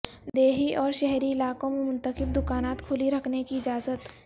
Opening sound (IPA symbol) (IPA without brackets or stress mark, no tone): d̪